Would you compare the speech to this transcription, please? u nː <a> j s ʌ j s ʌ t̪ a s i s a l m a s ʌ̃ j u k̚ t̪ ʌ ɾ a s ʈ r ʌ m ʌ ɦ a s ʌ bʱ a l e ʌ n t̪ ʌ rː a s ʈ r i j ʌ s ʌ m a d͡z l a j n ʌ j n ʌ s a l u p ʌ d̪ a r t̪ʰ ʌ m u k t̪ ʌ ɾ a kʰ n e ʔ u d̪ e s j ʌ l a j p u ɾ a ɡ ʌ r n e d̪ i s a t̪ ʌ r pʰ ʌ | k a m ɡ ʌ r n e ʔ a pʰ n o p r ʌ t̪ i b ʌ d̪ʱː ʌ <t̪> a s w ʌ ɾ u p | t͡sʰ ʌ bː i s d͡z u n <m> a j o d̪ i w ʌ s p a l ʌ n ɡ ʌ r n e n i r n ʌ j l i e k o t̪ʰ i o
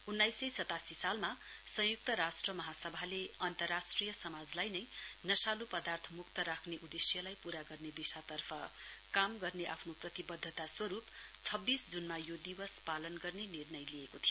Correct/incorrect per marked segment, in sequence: correct, correct, correct

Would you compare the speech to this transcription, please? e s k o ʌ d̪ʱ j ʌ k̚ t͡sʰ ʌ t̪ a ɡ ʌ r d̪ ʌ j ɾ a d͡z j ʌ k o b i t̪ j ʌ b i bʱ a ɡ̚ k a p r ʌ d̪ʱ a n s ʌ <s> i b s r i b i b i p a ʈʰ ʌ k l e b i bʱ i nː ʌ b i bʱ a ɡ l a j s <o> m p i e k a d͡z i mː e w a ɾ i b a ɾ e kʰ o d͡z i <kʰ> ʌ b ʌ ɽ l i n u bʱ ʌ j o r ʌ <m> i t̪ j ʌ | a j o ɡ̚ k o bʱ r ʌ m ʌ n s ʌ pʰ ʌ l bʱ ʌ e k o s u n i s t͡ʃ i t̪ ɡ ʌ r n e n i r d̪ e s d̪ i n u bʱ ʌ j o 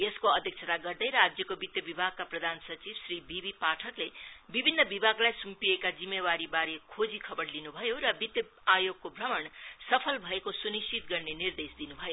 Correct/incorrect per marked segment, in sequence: incorrect: t͡s, incorrect: u, correct, incorrect: b

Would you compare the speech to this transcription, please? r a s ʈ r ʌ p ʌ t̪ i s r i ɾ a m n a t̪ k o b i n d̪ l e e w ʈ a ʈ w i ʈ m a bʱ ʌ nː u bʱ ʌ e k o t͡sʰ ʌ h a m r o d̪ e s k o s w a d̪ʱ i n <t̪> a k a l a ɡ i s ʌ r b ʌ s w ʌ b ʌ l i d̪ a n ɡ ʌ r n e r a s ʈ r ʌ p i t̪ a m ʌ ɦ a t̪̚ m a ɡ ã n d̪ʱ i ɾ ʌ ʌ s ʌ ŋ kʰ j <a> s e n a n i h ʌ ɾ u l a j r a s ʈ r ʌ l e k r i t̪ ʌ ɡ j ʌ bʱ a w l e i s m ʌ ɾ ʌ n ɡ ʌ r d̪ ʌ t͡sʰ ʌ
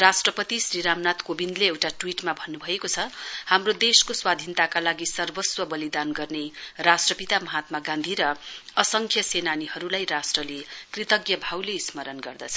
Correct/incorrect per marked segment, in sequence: correct, incorrect: ʌ

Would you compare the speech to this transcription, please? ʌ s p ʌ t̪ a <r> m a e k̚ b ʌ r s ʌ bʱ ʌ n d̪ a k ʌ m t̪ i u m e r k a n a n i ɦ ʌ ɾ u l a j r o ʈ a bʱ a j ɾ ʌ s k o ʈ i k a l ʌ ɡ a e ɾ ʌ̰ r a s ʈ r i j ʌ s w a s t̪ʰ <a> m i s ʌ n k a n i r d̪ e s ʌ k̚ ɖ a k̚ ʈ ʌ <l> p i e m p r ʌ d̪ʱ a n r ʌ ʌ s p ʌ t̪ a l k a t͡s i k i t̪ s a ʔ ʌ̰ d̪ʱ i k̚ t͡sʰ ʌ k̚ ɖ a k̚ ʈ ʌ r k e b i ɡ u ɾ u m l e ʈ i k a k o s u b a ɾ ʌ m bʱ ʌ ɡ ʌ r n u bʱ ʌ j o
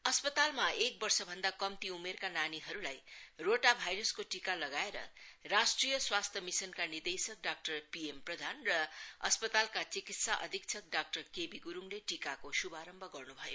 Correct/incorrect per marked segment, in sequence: incorrect: l, incorrect: ʌ, incorrect: r

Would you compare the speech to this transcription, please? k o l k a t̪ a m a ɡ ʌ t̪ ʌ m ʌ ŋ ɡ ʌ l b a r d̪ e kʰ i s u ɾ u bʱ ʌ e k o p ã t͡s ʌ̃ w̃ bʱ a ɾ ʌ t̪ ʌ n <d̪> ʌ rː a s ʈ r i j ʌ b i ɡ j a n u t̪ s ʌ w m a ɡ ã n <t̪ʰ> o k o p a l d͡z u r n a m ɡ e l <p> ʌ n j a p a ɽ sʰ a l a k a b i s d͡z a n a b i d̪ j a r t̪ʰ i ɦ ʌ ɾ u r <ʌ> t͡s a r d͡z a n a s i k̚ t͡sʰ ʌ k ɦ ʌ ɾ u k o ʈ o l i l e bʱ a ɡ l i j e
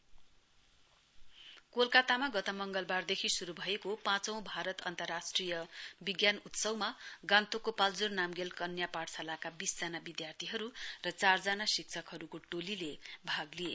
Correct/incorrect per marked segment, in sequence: incorrect: t̪, incorrect: t̪, incorrect: k, correct

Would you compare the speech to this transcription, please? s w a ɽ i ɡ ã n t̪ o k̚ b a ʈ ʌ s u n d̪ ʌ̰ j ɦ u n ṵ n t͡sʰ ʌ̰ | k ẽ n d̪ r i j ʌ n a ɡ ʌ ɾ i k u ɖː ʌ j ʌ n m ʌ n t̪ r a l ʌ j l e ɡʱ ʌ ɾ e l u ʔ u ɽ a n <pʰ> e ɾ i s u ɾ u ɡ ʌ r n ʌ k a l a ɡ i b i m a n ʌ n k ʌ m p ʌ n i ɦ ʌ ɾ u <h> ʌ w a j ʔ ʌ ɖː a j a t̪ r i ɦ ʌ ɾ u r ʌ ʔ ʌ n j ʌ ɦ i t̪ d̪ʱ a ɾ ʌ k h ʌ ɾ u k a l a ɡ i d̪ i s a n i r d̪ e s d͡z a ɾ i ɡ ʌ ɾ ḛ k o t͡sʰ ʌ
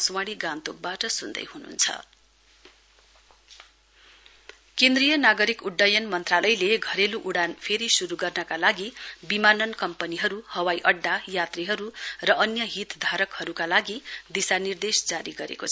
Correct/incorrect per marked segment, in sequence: correct, correct

